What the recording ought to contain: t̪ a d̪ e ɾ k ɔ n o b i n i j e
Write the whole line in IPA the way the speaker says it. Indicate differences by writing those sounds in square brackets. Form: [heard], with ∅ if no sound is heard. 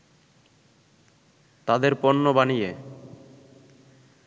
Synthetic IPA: t̪ a d̪ e ɾ [p] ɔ [nː] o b [a] n i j e